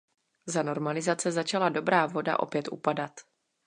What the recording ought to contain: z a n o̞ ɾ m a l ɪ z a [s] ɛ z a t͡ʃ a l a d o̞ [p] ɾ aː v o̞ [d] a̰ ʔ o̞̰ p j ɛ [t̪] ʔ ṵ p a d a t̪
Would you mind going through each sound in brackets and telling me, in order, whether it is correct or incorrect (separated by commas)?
incorrect, incorrect, correct, correct